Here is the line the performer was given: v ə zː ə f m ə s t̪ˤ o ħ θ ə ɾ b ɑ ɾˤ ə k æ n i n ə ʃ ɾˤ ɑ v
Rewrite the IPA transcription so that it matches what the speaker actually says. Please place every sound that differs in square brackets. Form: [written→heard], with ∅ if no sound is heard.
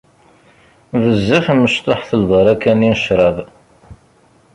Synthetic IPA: v ə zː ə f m ə [s→ʃ] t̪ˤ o ħ θ ə [ɾ→l] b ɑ ɾˤ [ə→ɑ] k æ n i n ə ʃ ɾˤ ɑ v